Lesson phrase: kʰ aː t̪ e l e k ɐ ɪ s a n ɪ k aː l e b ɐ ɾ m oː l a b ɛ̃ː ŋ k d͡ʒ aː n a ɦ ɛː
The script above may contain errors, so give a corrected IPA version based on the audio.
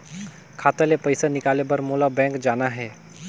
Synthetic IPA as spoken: kʰ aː t̪ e l e p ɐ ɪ s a n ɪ k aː l e b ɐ ɾ m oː l a b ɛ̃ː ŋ k d͡ʒ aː n a ɦ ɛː